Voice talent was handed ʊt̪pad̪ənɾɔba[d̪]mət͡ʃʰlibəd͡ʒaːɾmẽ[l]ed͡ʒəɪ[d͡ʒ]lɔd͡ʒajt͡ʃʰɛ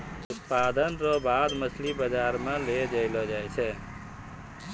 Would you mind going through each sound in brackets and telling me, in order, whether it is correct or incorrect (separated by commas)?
correct, correct, incorrect